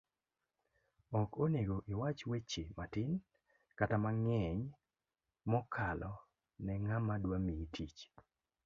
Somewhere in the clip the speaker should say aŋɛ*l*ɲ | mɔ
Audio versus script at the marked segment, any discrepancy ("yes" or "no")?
yes